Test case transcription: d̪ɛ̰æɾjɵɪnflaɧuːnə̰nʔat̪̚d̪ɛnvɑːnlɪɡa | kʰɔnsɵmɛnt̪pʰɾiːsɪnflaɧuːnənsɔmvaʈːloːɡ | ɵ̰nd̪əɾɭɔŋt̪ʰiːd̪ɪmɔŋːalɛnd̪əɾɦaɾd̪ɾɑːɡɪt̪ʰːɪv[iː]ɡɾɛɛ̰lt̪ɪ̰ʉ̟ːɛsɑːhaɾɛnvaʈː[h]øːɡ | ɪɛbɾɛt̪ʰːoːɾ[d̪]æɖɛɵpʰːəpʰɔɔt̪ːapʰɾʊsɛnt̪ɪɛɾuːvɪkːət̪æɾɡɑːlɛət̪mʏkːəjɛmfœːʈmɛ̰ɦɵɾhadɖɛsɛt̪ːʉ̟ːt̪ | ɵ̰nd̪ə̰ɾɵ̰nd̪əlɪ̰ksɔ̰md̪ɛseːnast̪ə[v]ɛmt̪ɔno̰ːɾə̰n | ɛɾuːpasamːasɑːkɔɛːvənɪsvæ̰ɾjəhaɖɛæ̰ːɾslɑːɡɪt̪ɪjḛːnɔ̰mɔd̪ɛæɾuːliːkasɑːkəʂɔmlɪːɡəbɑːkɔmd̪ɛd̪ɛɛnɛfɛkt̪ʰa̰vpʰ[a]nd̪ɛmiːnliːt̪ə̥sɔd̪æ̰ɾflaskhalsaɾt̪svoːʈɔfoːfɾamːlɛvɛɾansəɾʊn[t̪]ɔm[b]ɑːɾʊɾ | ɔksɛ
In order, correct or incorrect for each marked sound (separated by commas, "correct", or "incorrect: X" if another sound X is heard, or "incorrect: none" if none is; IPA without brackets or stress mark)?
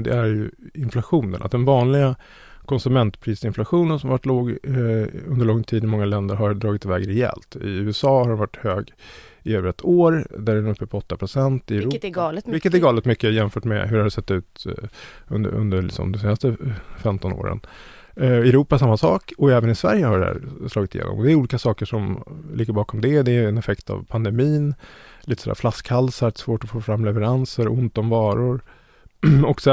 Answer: incorrect: ɛː, correct, correct, incorrect: f, correct, correct, incorrect: v